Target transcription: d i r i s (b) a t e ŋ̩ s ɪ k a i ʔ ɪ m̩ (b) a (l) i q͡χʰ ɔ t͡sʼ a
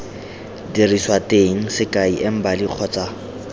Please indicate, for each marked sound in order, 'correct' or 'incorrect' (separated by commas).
incorrect, correct, correct